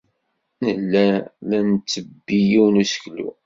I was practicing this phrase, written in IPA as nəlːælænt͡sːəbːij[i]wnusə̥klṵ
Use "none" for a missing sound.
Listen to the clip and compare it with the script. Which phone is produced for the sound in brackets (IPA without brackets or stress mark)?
i